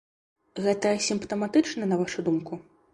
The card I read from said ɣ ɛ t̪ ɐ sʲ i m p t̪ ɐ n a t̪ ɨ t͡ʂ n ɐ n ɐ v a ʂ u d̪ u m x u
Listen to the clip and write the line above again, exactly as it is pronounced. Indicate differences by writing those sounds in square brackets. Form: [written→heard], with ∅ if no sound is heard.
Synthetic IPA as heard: ɣ ɛ t̪ ɐ sʲ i m p t̪ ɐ [n→m] a t̪ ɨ t͡ʂ n ɐ n ɐ v a ʂ u d̪ u m [x→k] u